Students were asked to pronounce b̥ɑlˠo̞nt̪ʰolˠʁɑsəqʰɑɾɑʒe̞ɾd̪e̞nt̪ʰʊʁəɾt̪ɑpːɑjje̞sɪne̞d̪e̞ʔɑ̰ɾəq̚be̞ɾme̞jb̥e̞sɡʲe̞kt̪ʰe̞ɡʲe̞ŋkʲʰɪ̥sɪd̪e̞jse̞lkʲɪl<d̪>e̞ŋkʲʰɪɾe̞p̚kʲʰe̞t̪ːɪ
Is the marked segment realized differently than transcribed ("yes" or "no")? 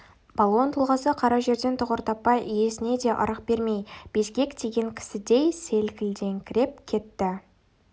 no